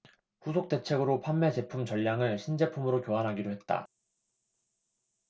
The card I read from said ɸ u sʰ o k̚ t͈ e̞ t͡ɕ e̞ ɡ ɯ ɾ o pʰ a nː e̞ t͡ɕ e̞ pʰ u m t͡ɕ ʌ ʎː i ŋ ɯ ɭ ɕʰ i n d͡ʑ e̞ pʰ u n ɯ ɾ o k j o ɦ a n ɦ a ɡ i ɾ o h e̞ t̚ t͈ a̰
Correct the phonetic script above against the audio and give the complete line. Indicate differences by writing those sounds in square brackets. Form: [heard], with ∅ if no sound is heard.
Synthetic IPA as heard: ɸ u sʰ o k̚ t͈ e̞ [t͡ɕʰ] e̞ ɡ ɯ ɾ o pʰ a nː e̞ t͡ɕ e̞ pʰ u m t͡ɕ ʌ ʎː [a] ŋ ɯ ɭ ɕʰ i n d͡ʑ e̞ pʰ u [m] ɯ ɾ o k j o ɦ a n ɦ a ɡ i ɾ o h e̞ t̚ t͈ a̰